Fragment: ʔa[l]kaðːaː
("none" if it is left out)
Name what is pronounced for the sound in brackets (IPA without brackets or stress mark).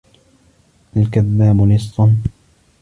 l